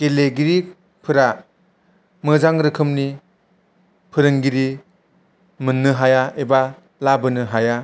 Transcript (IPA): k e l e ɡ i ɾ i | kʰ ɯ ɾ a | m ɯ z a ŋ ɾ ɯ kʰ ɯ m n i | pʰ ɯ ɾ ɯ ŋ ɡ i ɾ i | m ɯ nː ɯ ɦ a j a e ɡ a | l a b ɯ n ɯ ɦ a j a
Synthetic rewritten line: k e l e ɡ i ɾ i | pʰ ɯ ɾ a | m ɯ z a ŋ ɾ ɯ kʰ ɯ m n i | pʰ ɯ ɾ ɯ ŋ ɡ i ɾ i | m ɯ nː ɯ ɦ a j a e b a | l a b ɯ n ɯ ɦ a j a

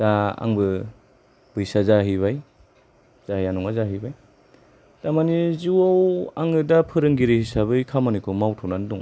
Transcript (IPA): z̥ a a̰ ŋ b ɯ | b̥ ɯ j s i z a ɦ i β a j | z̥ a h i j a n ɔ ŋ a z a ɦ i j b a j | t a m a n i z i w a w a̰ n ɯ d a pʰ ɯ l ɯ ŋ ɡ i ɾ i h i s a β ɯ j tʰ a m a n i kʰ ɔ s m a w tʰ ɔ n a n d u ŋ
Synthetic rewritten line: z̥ a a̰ ŋ b ɯ | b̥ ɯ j s a z a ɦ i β a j | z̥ a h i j a n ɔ ŋ a z a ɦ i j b a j | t a m a n i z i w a w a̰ ŋ ɯ d a pʰ ɯ ɾ ɯ ŋ ɡ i ɾ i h i s a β ɯ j kʰ a m a n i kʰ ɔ m a w tʰ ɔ n a n d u ŋ

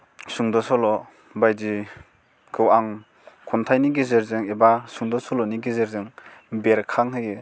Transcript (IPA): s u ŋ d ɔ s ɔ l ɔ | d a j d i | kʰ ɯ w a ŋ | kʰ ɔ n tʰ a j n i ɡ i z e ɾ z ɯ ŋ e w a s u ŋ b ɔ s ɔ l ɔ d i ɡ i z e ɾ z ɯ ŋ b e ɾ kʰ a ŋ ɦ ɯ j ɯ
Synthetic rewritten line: s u ŋ d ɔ s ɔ l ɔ | b a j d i | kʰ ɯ w a ŋ | kʰ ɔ n tʰ a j n i ɡ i z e ɾ z ɯ ŋ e b a s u ŋ d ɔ s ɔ l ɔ n i ɡ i z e ɾ z ɯ ŋ b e ɾ kʰ a ŋ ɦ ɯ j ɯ

